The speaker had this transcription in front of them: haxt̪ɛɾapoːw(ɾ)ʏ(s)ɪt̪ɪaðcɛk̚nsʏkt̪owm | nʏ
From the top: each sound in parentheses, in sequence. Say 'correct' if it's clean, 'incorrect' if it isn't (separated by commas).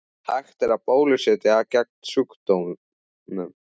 incorrect, correct